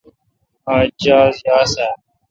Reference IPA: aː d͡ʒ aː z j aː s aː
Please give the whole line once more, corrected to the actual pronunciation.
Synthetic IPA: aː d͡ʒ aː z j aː s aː